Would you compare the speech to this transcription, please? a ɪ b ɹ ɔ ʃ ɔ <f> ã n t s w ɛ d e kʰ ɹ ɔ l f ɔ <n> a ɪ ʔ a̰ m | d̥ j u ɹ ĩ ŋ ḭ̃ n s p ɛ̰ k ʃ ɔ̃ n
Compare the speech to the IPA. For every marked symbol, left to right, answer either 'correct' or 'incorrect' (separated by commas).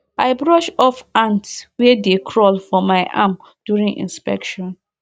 correct, incorrect